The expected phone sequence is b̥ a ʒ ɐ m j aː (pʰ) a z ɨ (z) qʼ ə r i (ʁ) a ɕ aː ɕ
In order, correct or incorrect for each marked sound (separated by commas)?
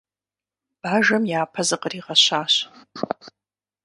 correct, incorrect, correct